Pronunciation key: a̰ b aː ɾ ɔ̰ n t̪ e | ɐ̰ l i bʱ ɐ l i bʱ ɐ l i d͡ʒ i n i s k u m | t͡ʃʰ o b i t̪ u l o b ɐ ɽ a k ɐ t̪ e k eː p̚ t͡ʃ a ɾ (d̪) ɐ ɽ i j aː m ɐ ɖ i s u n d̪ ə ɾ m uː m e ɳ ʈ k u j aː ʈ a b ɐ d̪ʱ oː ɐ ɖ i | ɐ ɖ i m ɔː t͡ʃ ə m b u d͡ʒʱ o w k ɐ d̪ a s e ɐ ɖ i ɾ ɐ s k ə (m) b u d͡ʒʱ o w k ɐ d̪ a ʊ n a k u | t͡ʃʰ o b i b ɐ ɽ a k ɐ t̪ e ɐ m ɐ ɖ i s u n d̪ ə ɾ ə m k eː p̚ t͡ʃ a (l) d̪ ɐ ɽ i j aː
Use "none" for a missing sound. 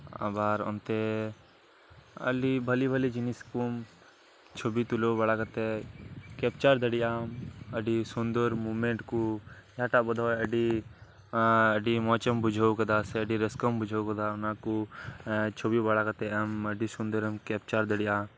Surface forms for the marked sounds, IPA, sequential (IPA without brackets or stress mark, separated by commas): d̪, m, ɾ